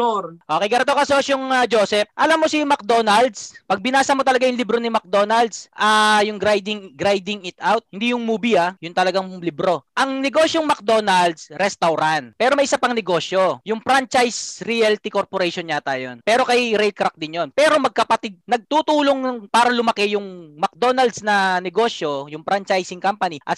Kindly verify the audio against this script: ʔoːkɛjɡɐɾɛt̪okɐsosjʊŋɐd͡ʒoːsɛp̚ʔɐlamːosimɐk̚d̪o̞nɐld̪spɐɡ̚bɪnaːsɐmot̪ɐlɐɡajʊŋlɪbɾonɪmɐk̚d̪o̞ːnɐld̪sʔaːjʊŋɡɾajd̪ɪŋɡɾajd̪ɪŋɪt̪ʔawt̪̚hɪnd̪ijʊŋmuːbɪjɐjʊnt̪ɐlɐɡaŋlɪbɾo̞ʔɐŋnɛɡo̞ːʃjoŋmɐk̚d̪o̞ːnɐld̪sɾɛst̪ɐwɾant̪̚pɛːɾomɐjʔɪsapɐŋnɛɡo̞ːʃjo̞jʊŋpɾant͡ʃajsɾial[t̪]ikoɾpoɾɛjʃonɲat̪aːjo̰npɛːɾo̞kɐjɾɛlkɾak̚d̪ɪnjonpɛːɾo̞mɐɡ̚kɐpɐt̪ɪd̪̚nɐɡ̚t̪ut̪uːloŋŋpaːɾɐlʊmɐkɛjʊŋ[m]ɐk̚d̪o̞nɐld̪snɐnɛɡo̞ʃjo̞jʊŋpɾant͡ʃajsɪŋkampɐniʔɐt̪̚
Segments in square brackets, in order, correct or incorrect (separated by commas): correct, correct